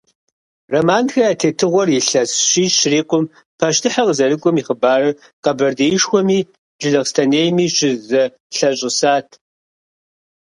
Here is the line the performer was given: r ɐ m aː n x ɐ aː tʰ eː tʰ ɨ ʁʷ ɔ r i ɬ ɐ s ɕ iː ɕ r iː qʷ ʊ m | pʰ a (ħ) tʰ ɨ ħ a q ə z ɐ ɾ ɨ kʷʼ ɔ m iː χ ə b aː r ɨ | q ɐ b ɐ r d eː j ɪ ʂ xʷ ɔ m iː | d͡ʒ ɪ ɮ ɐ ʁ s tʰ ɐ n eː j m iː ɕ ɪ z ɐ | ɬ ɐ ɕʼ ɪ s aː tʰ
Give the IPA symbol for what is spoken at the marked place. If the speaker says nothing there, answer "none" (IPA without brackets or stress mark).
ʃ